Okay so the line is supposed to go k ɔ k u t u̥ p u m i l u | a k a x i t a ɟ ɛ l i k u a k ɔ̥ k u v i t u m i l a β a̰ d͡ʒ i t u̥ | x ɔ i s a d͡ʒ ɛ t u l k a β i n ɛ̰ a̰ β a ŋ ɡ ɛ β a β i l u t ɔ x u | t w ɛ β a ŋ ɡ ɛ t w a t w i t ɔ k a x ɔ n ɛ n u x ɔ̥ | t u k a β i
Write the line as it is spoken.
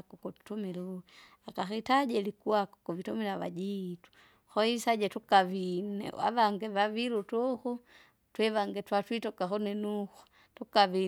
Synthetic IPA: k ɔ k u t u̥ t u m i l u | a k a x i t a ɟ ɛ l i k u a k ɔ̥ k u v i t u m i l a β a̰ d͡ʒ i t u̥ | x ɔ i s a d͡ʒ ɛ t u k a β i n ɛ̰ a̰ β a ŋ ɡ ɛ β a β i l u t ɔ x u | t w ɛ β a ŋ ɡ ɛ t w a t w i t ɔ k a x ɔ n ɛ n u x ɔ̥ | t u k a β i